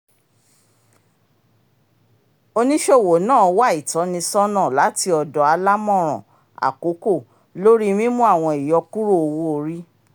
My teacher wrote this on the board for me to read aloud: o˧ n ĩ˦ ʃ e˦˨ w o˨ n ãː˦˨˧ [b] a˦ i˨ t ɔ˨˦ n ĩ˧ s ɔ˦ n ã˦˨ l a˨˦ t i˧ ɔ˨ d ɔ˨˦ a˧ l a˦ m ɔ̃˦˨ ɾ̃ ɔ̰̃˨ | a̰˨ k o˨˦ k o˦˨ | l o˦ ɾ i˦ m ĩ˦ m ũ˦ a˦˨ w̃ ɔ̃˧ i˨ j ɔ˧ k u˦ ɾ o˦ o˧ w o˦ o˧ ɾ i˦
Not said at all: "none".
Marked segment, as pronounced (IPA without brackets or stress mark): w